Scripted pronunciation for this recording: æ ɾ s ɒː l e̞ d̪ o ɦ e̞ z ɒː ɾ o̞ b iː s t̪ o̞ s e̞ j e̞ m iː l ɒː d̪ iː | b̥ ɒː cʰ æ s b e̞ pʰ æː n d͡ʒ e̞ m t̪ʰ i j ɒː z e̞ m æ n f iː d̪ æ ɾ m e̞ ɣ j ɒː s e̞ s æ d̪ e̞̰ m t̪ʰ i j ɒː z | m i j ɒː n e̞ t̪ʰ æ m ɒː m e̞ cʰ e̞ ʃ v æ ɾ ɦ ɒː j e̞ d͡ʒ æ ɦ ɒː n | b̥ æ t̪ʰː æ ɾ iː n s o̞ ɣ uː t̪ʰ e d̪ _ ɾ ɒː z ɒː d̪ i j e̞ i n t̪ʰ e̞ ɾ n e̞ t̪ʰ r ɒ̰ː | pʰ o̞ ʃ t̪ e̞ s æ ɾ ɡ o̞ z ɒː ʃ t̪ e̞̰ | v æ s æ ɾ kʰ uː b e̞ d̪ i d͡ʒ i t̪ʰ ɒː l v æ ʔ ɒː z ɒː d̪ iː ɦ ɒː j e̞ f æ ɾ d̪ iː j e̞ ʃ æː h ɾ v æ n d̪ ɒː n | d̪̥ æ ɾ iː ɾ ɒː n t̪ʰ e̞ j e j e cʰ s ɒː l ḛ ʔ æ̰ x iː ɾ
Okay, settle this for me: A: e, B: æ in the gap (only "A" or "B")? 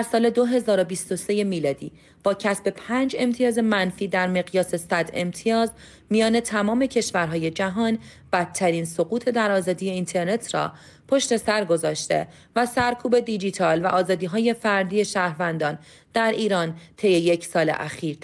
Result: B